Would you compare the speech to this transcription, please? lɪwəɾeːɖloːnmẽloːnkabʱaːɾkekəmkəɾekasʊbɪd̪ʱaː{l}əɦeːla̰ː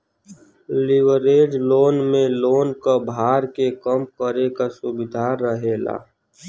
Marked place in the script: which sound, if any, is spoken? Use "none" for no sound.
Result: ɾ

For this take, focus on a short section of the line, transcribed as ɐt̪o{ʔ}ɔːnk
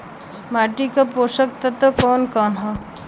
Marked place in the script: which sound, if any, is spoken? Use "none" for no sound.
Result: k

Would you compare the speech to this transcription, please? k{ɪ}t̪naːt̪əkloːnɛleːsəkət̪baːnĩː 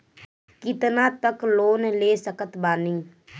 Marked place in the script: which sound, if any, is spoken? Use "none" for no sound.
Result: ɪ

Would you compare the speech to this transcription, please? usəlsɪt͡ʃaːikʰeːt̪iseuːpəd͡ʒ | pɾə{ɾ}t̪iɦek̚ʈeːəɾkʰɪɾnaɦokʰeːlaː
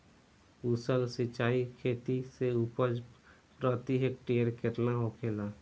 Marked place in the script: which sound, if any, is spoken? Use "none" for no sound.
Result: none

